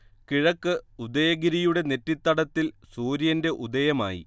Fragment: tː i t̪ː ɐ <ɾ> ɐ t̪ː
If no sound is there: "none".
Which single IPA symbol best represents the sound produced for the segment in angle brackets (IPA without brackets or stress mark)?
ɽ